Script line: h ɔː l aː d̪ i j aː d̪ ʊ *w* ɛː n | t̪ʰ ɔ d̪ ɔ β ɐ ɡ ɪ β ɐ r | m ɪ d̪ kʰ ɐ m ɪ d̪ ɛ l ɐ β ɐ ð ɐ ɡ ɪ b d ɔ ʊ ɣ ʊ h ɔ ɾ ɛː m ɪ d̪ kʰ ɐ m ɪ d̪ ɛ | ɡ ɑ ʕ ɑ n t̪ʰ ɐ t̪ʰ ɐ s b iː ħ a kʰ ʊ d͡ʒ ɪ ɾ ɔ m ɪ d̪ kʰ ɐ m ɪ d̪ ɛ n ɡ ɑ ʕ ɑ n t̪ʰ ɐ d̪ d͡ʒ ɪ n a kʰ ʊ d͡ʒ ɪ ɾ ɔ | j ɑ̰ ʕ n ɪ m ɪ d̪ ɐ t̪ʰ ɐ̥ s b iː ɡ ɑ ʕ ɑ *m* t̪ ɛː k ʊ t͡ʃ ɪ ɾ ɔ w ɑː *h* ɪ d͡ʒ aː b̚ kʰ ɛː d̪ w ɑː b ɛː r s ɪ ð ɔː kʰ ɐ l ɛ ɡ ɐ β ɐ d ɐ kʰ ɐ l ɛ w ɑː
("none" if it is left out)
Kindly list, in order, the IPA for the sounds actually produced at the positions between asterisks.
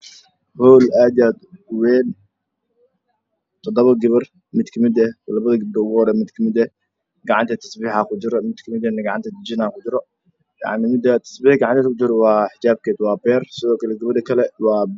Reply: w, n, ħ

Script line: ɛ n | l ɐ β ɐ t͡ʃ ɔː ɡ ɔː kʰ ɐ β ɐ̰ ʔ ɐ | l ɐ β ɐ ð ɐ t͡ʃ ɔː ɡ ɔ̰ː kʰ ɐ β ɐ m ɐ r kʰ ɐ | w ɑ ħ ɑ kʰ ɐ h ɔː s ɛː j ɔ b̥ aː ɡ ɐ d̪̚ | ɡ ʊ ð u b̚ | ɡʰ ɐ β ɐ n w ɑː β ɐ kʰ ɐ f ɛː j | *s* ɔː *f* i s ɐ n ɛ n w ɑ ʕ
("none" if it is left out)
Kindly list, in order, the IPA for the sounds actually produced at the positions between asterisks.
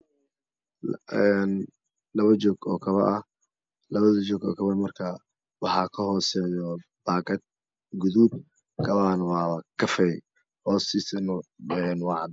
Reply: h, s

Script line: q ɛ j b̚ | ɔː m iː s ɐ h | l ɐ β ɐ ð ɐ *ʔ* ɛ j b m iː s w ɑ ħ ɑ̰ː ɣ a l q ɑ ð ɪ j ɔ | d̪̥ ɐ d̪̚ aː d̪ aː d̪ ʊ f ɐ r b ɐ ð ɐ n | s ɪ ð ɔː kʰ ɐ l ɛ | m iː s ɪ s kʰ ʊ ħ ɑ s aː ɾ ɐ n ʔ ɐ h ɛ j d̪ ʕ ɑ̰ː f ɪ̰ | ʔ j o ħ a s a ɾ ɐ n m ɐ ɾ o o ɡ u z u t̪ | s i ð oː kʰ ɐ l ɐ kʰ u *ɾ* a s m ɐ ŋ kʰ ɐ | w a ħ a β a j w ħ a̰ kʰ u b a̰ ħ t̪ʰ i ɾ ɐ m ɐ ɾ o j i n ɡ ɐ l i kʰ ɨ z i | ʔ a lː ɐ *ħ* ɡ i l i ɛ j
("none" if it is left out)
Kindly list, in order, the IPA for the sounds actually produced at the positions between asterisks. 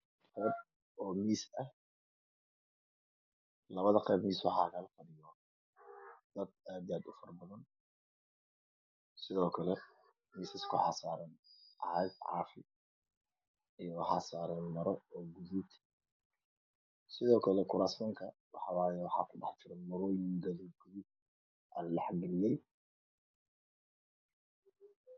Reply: q, ɾ, ħ

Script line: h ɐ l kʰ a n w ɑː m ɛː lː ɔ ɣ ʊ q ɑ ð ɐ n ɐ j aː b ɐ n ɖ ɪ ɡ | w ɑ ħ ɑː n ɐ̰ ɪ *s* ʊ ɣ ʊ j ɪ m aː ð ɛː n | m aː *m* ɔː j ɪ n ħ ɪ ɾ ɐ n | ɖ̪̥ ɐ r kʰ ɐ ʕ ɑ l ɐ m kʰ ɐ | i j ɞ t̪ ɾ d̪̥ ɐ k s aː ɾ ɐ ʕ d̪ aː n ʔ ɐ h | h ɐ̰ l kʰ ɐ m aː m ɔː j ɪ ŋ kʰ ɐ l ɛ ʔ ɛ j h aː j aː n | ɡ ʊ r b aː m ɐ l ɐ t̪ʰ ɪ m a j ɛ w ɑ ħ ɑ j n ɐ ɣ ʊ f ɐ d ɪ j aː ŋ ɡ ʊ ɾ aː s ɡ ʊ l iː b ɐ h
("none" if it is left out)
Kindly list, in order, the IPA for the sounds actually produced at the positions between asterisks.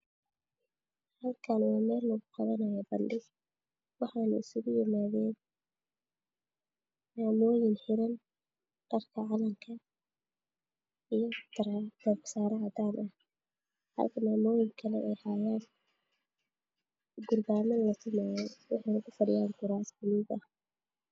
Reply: s, m

